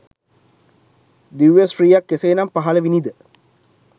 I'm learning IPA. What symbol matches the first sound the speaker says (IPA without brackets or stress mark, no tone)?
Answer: d̪